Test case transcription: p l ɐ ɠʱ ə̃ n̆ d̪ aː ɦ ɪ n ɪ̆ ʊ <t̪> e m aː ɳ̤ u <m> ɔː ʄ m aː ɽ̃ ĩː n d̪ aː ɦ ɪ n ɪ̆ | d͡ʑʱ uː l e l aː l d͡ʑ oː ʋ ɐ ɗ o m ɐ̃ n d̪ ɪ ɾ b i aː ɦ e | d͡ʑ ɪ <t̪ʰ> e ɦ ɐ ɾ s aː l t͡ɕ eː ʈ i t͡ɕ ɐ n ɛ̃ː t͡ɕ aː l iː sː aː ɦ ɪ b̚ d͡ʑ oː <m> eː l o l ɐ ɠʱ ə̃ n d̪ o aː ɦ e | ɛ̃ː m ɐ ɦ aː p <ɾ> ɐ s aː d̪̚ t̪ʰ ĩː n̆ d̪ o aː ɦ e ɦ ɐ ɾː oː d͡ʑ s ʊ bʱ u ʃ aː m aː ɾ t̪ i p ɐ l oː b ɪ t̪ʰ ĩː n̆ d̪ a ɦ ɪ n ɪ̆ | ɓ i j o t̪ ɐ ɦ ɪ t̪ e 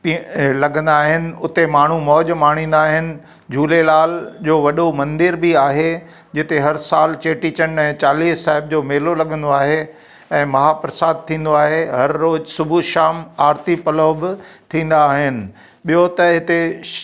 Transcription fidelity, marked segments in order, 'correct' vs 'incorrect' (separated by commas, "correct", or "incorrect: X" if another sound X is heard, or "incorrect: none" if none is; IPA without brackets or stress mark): correct, correct, incorrect: t̪, correct, correct